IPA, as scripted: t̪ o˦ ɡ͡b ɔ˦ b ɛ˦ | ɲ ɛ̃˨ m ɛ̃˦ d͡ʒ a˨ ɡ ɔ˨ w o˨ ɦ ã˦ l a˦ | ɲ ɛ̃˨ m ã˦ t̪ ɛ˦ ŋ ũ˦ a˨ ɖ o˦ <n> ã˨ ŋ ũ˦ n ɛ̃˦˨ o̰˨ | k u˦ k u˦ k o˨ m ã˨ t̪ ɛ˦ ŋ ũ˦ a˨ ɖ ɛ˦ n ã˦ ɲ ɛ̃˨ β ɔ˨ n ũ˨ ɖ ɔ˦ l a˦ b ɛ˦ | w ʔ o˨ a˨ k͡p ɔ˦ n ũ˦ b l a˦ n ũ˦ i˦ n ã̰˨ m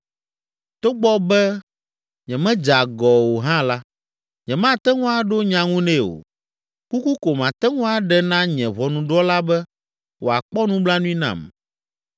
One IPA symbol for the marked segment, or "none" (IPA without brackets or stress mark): ɲ